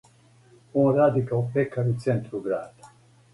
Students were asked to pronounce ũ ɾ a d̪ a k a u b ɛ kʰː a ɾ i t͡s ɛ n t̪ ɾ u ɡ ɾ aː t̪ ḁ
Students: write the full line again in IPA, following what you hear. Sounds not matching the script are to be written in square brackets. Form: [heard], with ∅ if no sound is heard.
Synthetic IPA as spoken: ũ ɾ a d̪ [i] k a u [p] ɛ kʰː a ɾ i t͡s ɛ n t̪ ɾ u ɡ ɾ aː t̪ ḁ